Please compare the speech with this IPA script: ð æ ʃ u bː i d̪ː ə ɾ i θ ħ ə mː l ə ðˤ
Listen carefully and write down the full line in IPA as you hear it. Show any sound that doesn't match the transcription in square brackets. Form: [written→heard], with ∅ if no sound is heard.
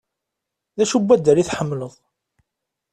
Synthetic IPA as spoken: ð æ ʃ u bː [i→æ] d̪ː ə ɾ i θ ħ ə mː l ə ðˤ

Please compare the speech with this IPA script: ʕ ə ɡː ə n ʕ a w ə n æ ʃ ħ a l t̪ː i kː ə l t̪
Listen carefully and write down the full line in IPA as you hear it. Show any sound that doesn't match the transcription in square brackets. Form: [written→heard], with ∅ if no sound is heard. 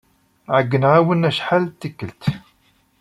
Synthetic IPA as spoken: ʕ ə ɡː ə n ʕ a w ə n æ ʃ ħ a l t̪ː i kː ə l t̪

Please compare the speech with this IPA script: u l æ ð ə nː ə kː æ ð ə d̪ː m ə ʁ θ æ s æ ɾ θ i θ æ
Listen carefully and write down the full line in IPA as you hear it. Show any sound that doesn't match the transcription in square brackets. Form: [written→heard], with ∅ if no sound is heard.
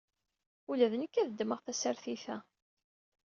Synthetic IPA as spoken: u l æ ð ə [nː→n] ə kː æ ð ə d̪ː m ə ʁ θ æ s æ ɾ θ i θ æ

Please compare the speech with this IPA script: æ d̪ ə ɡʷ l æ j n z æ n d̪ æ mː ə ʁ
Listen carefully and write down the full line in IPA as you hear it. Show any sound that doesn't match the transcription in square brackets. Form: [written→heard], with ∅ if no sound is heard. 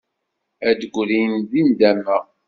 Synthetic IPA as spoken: æ d̪ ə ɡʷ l [æ→i] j n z [æ→i] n d̪ æ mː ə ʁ

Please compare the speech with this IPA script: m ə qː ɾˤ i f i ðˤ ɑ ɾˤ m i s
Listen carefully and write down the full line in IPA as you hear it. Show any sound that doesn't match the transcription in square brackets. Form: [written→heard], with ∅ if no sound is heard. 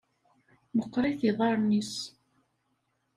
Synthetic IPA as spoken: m ə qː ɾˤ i [f→θ] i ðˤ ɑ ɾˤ [m→n] i s

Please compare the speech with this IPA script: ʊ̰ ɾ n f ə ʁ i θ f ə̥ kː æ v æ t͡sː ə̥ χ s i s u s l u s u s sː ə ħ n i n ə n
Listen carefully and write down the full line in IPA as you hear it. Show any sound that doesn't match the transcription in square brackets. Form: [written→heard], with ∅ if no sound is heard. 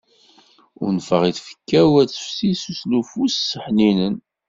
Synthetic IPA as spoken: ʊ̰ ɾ n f ə ʁ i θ f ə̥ kː æ [v→w] æ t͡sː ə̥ [χ→f] s i s u s l u [s→f] u s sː ə ħ n i n ə n

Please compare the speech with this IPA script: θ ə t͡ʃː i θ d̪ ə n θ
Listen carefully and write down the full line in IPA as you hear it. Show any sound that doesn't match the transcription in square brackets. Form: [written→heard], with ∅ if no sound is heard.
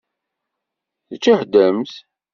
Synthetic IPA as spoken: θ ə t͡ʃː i [θ→ħ] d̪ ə [n→m] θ

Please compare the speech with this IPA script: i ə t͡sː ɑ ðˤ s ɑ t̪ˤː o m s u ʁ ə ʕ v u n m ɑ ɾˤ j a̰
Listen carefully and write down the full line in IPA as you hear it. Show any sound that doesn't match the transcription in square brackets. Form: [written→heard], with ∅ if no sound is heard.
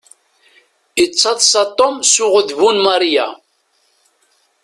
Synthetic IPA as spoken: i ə t͡sː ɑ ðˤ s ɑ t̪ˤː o m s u ʁ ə [ʕ→ð] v u n m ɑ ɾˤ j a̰

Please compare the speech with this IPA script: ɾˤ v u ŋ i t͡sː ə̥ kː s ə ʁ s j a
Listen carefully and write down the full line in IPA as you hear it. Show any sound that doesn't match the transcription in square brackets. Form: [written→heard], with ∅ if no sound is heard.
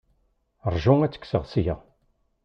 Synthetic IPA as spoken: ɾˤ [v→ʒ] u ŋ [i→æ] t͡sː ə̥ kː s ə ʁ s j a

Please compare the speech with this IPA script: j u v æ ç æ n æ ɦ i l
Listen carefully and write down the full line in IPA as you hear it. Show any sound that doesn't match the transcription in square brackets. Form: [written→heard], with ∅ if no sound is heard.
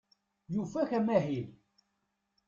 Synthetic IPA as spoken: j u [v→f] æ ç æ [n→m] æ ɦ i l

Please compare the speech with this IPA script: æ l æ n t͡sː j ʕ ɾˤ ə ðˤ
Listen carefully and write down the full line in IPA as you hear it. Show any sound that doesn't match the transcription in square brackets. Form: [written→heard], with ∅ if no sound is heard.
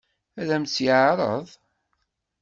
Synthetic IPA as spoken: æ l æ [n→m] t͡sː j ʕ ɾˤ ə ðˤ

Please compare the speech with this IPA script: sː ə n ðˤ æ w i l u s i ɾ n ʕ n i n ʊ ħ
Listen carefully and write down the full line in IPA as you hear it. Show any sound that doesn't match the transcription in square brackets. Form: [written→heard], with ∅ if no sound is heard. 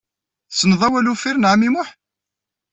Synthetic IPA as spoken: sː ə n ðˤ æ w [i→æ] l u [s→f] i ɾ n ʕ [n→m] i [n→m] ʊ ħ

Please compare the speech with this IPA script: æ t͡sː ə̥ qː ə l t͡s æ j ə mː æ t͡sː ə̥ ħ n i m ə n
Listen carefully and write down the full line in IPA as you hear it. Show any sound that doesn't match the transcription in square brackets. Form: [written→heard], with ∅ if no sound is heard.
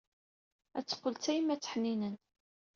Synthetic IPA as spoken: æ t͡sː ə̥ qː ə l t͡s æ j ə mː æ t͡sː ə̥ ħ n i [m→n] ə n

